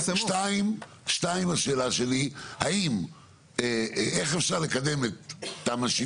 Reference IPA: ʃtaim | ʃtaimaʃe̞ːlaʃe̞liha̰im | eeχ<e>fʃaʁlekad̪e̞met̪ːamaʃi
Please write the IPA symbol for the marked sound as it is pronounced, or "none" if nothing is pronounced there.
e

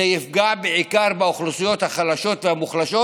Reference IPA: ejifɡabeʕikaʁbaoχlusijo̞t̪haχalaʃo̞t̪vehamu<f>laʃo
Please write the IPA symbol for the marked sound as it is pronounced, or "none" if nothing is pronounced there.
χ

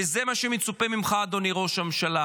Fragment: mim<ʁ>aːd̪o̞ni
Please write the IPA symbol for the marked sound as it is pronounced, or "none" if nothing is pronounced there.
χ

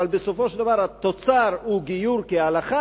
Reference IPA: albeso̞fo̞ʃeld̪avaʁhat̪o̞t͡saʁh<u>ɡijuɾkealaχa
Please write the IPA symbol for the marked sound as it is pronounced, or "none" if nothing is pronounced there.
u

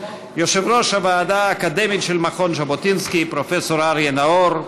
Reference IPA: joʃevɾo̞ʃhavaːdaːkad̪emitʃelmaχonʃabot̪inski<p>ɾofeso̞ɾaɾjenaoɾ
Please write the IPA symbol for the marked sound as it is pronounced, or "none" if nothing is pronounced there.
p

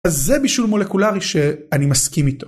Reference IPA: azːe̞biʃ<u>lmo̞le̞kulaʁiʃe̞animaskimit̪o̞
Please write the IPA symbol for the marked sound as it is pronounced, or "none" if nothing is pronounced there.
u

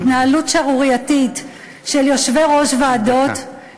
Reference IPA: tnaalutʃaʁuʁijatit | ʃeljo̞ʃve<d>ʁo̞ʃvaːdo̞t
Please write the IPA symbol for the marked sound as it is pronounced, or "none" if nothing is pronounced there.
none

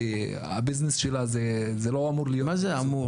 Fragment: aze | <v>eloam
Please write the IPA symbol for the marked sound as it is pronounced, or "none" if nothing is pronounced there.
z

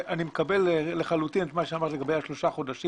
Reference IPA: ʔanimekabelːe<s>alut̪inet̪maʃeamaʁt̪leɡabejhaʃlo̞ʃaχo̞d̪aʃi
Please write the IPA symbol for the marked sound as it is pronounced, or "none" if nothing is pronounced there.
χ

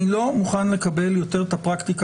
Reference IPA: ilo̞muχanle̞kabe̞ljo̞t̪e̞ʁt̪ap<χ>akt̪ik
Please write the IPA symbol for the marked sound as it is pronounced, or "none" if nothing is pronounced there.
ʁ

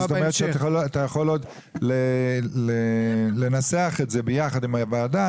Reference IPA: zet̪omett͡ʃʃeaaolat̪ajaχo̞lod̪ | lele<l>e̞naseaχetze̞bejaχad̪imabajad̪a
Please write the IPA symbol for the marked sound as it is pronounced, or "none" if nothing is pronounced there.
l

